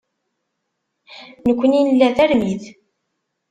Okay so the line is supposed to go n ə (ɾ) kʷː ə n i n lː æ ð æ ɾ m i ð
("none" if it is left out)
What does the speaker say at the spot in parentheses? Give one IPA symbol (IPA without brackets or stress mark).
none